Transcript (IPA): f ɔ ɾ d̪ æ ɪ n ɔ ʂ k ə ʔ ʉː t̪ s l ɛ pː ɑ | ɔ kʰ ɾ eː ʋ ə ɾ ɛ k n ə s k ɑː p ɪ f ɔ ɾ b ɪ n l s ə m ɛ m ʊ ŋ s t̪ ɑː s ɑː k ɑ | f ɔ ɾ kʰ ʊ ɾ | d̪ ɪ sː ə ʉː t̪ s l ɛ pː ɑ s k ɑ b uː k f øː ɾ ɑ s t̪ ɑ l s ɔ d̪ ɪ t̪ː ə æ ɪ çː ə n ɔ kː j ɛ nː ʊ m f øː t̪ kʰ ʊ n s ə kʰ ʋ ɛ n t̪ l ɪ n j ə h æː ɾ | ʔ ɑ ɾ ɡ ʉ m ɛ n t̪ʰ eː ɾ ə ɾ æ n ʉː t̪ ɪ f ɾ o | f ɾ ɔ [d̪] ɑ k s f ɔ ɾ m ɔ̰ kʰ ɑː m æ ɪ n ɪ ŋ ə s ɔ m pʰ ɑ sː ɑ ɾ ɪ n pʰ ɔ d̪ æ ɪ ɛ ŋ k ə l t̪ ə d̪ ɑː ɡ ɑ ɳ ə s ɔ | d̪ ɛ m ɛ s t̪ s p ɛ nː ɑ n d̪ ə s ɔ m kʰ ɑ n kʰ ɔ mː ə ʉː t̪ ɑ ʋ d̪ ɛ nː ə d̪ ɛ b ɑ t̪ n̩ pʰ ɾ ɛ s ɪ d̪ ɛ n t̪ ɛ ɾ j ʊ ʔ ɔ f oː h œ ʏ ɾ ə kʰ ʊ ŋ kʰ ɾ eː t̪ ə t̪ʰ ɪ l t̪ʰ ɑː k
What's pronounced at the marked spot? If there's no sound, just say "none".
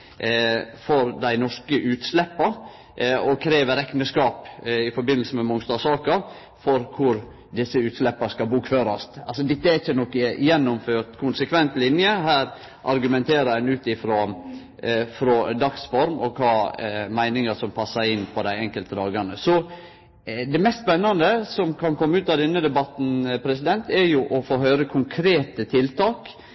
d̪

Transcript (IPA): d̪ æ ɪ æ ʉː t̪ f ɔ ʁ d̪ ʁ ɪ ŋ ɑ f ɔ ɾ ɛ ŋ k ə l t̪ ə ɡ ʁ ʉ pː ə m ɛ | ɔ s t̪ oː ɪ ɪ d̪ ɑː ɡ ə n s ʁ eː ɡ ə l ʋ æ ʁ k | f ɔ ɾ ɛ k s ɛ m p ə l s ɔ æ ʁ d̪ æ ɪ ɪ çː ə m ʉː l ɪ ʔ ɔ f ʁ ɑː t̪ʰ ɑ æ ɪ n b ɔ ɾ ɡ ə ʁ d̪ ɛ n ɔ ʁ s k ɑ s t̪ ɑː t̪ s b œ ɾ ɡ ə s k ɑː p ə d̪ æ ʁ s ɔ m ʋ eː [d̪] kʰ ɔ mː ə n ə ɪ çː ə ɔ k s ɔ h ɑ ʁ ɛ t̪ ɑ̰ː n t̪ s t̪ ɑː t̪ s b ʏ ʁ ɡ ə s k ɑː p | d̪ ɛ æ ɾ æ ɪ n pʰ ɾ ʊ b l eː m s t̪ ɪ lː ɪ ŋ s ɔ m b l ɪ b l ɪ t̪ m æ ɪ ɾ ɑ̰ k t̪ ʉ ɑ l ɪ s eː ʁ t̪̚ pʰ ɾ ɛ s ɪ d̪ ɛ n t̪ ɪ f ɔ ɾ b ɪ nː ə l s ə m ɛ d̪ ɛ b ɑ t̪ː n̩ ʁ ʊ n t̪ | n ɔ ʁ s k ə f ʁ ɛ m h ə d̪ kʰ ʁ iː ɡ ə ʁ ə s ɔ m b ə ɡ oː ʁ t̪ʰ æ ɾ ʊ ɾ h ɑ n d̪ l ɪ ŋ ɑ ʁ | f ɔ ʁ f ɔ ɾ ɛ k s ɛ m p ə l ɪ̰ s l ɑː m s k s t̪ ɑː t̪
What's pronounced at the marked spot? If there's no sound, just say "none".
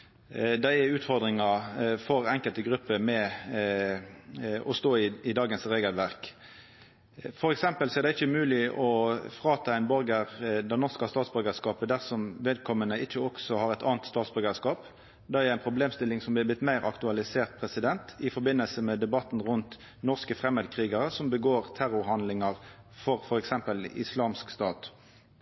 d̪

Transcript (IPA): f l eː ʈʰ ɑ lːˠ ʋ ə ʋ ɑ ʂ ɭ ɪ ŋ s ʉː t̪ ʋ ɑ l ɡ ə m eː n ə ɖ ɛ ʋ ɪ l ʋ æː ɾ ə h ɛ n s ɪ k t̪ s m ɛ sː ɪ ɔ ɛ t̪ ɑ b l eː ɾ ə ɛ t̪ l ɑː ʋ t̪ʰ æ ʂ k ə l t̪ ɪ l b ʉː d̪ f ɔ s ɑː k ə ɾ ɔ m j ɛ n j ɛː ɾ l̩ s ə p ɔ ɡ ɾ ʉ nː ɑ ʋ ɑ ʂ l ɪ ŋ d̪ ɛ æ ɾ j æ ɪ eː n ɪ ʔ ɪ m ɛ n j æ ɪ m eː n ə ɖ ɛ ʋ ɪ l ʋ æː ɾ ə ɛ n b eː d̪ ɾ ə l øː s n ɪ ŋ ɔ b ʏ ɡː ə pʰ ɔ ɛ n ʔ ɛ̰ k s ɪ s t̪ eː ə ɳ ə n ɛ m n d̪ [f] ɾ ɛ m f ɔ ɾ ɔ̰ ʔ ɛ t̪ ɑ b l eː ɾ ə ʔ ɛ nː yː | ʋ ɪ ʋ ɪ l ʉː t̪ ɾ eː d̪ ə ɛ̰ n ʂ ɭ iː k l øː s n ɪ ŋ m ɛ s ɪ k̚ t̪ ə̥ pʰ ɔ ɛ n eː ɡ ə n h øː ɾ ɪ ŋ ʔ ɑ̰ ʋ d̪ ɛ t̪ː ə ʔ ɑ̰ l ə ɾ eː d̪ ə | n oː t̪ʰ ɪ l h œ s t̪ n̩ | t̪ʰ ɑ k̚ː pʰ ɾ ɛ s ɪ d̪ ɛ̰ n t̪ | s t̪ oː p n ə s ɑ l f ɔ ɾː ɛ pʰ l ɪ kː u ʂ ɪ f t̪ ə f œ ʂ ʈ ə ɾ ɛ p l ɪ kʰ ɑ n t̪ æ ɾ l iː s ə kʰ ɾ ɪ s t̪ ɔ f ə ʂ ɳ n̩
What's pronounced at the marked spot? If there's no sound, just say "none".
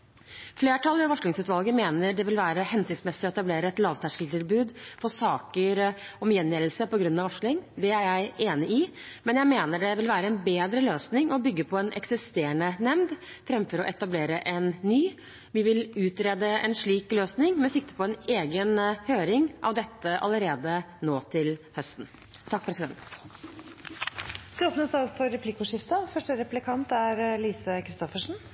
f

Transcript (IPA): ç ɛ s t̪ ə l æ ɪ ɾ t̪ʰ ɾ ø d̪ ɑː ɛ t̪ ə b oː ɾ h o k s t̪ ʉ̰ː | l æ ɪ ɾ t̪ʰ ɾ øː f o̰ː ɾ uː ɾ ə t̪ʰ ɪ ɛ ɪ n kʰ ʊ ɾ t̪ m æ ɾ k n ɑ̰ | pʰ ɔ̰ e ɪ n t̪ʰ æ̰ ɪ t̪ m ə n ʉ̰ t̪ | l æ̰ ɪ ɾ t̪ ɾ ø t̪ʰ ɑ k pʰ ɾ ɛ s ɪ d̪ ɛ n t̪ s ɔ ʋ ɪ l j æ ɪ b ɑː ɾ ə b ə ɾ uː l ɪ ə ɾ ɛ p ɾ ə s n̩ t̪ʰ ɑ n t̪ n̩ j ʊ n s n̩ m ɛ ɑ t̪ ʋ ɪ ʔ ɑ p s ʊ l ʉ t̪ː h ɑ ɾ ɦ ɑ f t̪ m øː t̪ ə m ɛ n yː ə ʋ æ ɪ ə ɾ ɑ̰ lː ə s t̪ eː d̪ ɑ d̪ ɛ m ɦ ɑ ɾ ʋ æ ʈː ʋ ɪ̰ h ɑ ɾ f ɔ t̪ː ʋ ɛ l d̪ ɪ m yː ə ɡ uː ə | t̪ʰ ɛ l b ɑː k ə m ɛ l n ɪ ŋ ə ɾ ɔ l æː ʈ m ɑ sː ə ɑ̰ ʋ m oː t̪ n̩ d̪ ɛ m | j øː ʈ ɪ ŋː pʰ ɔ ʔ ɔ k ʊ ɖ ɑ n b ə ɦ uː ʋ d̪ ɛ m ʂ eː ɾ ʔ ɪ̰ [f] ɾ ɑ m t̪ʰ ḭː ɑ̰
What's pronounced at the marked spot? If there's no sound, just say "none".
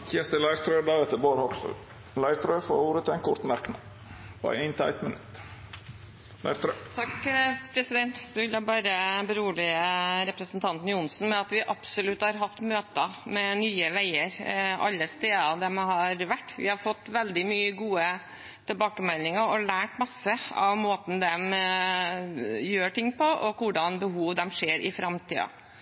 f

